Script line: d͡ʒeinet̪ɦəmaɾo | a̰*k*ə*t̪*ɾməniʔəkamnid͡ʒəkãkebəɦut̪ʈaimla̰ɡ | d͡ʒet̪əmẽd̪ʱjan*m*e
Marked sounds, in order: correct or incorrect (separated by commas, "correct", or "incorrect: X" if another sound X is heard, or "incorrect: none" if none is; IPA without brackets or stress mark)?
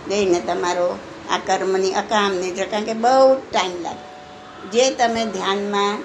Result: correct, incorrect: none, correct